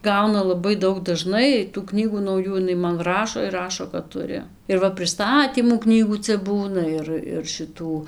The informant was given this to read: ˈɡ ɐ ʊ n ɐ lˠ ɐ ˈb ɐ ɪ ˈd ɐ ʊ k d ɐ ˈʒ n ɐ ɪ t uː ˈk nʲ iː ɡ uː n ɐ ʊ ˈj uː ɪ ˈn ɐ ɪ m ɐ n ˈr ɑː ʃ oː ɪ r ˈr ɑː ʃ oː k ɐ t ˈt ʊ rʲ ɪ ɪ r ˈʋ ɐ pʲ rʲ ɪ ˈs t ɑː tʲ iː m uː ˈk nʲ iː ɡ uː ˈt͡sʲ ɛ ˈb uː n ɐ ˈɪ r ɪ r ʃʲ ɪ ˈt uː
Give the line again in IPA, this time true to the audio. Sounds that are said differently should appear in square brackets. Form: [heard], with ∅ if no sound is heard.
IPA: ˈɡ ɐ ʊ n ɐ lˠ ɐ ˈb ɐ ɪ ˈd ɐ ʊ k d ɐ ˈʒ n ɐ ɪ t uː ˈk nʲ iː ɡ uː n ɐ ʊ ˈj uː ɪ ˈn ɐ ɪ m ɐ n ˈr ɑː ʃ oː ɪ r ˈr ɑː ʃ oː k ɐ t ˈt ʊ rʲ ɪ ɪ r ˈʋ ɐ pʲ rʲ ɪ ˈs t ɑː tʲ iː m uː ˈk nʲ iː ɡ uː ˈt͡sʲ ɛ ˈb uː n ɐ ˈɪ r ɪ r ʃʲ ɪ ˈt uː